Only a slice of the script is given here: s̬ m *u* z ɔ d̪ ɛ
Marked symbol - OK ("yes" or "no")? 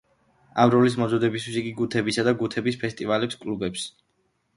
no